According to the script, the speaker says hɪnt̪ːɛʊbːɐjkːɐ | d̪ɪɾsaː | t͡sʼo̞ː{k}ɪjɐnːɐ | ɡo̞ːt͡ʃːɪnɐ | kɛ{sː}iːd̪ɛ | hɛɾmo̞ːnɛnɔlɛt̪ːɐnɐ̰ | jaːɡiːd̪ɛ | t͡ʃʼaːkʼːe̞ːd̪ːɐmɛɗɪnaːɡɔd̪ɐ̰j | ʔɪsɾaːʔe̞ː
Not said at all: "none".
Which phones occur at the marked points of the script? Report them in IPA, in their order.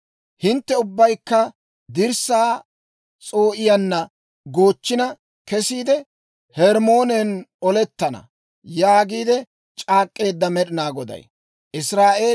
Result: ʔ, s

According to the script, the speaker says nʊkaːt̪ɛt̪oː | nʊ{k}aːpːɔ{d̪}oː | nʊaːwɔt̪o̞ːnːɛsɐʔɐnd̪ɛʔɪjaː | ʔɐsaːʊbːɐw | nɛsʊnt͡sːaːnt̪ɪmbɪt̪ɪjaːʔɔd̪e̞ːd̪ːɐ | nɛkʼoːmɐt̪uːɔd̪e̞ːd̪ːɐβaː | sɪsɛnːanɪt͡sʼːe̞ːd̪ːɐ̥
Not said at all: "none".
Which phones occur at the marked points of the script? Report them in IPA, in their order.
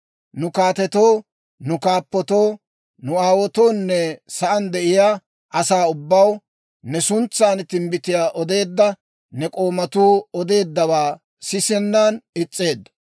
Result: k, t̪

